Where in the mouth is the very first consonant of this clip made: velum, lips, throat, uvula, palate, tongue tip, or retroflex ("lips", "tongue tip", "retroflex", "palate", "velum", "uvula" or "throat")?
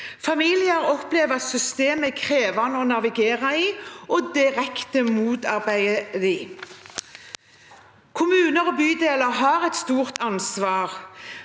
lips